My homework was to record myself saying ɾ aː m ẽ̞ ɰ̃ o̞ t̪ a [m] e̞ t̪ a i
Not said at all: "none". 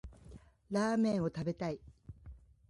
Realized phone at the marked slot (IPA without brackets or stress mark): b